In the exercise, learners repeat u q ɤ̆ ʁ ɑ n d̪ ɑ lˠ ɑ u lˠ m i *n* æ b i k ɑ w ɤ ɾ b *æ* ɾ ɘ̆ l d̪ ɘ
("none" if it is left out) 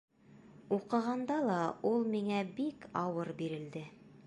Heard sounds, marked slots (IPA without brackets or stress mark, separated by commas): ŋ, i